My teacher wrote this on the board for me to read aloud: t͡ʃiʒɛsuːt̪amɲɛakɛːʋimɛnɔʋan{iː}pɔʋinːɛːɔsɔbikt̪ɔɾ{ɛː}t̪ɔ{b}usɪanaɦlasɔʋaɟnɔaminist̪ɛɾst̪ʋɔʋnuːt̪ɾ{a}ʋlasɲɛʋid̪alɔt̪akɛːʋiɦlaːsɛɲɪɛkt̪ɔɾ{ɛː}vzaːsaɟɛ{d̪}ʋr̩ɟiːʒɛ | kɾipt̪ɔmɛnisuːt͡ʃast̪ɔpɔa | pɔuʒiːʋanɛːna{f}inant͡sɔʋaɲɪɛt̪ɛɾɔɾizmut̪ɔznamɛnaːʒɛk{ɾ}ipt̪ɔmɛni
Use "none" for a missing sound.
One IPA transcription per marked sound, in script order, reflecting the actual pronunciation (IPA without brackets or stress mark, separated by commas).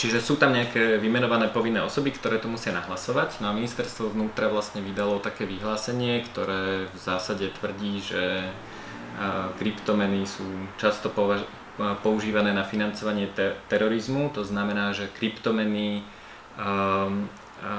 ɛː, ɛː, m, a, ɛː, t̪, f, ɾ